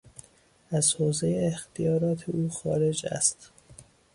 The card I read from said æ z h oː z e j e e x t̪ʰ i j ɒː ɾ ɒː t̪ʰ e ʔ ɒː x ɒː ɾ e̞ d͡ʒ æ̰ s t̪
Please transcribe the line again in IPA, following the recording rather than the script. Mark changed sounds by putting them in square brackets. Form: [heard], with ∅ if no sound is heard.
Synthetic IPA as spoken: æ z h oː z e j e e x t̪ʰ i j ɒː ɾ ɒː t̪ʰ e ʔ [uː] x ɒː ɾ e̞ d͡ʒ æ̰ s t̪